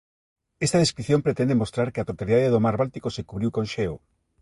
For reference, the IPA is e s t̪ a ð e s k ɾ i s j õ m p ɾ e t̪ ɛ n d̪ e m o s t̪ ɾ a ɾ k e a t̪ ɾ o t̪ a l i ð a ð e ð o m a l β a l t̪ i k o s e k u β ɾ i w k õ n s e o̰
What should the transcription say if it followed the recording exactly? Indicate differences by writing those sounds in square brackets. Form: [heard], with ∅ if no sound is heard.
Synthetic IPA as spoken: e s t̪ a ð e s k ɾ i [θ] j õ m p ɾ e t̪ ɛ n d̪ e m o s t̪ ɾ a ɾ k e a t̪ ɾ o t̪ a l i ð a ð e ð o m a [ɾ] β a l t̪ i k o s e k u β ɾ i w k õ n [ʃ] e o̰